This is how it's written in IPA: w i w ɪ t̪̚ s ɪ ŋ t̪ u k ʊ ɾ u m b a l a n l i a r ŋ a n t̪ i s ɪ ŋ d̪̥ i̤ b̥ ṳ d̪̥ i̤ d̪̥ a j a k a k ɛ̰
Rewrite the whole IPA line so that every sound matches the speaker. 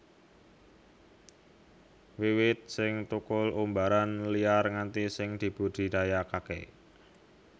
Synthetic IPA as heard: w i w ɪ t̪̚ s ɪ ŋ t̪ u k ʊ l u m b a ɾ a n l i a r ŋ a n t̪ i s ɪ ŋ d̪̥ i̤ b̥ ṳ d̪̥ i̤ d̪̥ a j a k a k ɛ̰